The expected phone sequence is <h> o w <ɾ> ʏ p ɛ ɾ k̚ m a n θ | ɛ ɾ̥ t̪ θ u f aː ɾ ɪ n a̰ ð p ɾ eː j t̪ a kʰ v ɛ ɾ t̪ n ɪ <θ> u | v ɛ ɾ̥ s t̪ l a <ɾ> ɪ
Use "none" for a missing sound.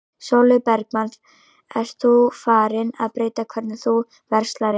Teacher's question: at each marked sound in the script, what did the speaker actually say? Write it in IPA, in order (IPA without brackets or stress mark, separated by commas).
s, l, θ, ɾ